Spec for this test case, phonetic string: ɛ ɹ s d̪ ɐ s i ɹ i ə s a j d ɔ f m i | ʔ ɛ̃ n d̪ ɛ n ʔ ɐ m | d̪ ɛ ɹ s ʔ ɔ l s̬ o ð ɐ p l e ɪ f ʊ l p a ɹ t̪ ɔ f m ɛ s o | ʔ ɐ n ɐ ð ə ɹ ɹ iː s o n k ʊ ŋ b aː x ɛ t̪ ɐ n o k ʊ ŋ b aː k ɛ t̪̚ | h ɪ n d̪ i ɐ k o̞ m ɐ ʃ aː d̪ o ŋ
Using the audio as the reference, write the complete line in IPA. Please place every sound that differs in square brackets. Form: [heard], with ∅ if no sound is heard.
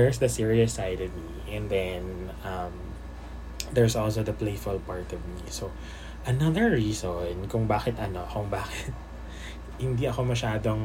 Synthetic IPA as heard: ɛ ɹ s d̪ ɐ s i ɹ i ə s a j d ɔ [v] m i | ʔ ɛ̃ n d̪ ɛ n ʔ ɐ m | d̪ ɛ ɹ s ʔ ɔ l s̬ o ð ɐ p l e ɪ f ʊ l p a ɹ t̪ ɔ [v] m [i] s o | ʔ ɐ n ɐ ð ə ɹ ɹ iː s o n k ʊ ŋ b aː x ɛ t̪ ɐ n o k ʊ ŋ b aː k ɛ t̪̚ | h ɪ n d̪ i ɐ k o̞ m ɐ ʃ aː d̪ o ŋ